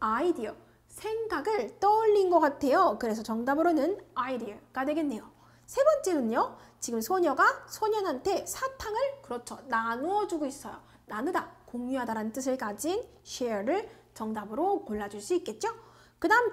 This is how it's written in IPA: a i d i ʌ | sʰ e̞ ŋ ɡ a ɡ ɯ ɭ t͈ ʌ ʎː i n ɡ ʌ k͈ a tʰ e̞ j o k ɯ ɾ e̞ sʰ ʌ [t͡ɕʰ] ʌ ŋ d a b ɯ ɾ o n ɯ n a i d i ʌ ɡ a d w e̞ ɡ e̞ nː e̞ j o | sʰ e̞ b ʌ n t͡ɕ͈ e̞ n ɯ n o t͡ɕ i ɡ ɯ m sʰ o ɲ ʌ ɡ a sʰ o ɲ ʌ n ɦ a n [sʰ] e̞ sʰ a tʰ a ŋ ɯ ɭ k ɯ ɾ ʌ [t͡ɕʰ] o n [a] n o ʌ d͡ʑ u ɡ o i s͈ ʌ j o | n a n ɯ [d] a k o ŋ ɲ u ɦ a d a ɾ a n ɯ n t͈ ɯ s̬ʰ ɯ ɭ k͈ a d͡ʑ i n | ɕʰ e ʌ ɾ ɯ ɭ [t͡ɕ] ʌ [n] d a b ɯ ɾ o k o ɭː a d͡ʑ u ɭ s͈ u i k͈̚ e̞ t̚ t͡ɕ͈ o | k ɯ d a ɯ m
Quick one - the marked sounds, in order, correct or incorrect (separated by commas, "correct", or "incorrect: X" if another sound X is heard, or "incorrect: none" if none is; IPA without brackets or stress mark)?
incorrect: t͡ɕ, incorrect: tʰ, correct, correct, correct, correct, incorrect: ŋ